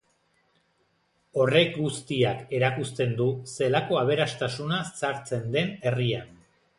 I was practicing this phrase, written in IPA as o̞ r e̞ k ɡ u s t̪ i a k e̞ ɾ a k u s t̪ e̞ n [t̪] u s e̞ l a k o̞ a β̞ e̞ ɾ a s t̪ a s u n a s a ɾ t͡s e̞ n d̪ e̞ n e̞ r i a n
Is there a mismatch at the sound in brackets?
yes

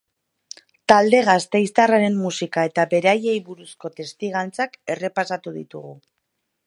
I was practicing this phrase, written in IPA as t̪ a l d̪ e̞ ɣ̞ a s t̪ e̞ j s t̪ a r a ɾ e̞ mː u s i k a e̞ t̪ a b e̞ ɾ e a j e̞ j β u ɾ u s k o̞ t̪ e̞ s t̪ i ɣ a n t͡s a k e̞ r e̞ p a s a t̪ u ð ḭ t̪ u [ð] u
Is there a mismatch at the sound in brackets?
yes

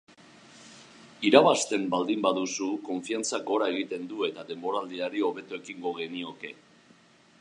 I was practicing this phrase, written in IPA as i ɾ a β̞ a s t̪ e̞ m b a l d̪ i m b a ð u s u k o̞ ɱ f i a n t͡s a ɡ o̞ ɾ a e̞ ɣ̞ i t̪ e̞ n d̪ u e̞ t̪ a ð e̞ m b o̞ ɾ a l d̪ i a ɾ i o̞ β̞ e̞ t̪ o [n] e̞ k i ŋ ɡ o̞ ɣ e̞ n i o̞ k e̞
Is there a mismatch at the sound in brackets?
yes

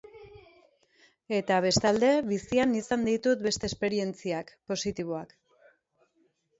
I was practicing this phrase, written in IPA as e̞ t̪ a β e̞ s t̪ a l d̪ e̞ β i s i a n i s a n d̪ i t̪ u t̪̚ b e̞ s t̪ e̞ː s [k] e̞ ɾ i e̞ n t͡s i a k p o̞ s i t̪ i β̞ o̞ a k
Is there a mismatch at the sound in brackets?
yes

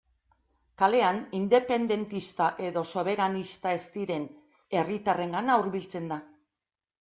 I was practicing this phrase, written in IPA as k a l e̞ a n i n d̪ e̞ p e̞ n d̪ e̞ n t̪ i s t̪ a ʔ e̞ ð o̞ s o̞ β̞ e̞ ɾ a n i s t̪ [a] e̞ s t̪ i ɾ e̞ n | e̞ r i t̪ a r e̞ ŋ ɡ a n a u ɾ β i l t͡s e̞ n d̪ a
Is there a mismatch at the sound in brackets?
no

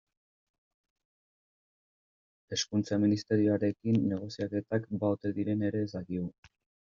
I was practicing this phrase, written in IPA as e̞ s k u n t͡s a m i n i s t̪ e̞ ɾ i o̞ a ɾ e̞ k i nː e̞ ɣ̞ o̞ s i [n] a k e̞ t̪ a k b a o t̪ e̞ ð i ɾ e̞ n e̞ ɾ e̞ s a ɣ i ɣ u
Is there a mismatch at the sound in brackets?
yes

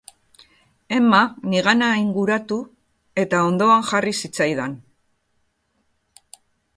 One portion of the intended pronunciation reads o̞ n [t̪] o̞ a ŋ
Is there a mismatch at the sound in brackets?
yes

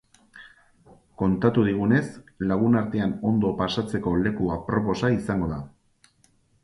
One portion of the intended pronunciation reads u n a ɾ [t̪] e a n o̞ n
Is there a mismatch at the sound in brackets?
no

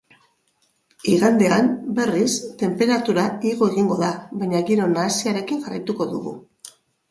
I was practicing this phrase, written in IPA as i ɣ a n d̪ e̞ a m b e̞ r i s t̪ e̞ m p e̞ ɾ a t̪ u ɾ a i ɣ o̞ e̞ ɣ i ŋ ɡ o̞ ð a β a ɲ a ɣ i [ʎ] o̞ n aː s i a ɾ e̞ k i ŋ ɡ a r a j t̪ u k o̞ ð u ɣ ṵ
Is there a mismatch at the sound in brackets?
yes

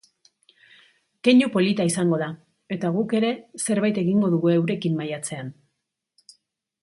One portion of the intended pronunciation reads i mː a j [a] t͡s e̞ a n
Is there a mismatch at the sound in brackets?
no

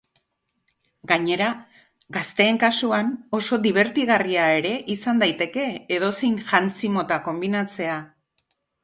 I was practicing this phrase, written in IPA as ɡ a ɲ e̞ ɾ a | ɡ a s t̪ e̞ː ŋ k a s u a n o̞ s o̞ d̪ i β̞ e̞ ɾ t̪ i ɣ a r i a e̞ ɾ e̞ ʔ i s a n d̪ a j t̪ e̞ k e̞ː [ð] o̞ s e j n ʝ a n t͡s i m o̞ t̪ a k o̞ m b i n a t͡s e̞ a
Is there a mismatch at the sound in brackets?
no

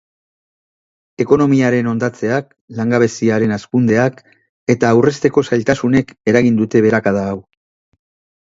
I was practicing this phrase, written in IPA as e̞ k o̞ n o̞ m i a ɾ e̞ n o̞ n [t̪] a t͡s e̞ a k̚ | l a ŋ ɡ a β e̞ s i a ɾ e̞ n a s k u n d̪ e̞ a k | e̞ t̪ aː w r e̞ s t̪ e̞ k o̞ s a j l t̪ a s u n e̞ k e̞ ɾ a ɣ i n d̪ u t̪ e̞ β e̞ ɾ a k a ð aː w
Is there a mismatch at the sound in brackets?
yes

